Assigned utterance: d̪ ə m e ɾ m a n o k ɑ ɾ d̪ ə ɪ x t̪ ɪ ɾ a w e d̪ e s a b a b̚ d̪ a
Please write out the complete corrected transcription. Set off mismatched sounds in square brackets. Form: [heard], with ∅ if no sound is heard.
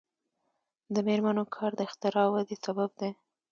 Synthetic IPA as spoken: d̪ ə m e ɾ m a n o [kʰ] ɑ ɾ d̪ ə ɪ x t̪ ɪ ɾ [ɑ] w [a] d̪ e s a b a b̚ d̪ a